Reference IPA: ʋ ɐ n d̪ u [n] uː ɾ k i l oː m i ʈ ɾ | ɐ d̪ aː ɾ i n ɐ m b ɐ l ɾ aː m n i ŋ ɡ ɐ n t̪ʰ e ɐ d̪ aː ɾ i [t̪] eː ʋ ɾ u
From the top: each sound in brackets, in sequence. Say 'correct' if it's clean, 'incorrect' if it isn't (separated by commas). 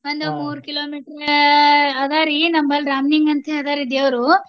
incorrect, incorrect